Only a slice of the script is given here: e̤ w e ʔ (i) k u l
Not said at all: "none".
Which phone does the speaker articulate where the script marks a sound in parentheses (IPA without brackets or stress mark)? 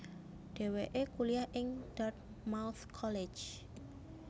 e